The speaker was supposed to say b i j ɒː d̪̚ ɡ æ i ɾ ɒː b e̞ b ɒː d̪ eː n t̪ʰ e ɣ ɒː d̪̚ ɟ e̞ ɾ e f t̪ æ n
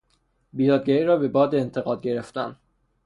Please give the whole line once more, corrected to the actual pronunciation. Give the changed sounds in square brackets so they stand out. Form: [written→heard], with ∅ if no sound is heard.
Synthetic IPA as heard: b i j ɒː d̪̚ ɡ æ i ɾ ɒː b e̞ b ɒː d̪ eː n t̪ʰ e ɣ ɒː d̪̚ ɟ e̞ ɾ e f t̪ æ n